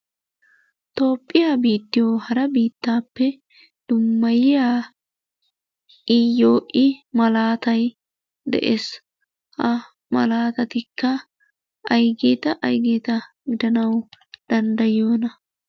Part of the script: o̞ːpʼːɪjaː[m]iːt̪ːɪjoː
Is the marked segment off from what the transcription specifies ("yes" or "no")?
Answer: yes